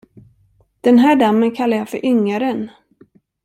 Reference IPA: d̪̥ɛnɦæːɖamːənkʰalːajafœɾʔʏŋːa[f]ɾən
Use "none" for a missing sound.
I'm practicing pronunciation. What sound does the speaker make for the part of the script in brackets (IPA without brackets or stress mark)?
none